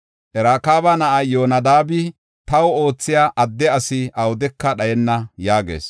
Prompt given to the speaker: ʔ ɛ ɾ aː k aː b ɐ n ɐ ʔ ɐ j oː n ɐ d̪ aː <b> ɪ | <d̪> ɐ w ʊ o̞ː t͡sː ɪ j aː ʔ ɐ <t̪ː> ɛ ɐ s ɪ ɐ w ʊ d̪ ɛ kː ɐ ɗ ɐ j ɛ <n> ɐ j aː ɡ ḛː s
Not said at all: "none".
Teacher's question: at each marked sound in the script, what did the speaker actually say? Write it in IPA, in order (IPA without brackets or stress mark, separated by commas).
b, t̪, d̪ː, nː